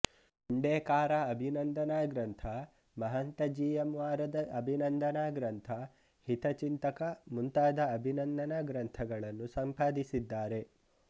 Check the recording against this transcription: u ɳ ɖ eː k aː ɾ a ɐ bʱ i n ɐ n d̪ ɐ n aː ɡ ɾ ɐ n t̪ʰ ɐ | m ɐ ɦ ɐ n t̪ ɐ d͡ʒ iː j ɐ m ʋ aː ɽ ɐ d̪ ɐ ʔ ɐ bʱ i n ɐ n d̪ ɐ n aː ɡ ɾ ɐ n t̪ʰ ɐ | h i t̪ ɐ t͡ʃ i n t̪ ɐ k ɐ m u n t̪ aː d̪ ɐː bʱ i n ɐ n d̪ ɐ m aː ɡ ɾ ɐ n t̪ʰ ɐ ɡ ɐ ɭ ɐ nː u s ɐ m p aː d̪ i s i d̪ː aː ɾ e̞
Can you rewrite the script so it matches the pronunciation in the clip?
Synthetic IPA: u ɳ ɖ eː k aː ɾ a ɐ bʱ i n ɐ n d̪ ɐ n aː ɡ ɾ ɐ n t̪ʰ ɐ | m ɐ ɦ ɐ n t̪ ɐ d͡ʒ iː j ɐ m ʋ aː ɾ ɐ d̪ ɐ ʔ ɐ bʱ i n ɐ n d̪ ɐ n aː ɡ ɾ ɐ n t̪ʰ ɐ | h i t̪ ɐ t͡ʃ i n t̪ ɐ k ɐ m u n t̪ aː d̪ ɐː bʱ i n ɐ n d̪ ɐ n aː ɡ ɾ ɐ n t̪ʰ ɐ ɡ ɐ ɭ ɐ nː u s ɐ m p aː d̪ i s i d̪ː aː ɾ e̞